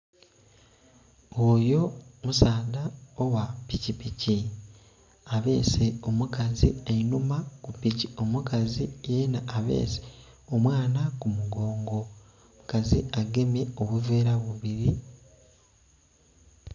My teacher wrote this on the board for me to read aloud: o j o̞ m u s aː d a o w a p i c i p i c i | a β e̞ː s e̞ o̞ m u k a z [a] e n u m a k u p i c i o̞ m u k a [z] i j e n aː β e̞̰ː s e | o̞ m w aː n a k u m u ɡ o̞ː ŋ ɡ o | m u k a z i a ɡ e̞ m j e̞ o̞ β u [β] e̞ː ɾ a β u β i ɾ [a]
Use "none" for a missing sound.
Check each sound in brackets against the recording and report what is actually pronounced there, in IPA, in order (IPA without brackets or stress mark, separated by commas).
i, z, v, i